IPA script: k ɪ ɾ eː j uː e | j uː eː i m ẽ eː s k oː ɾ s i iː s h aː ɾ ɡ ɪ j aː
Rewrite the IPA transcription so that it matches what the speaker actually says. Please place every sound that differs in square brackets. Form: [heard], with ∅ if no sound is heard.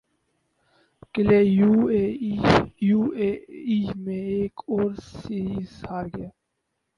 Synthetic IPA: k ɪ [l] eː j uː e | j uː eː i m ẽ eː [∅] k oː ɾ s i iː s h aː ɾ ɡ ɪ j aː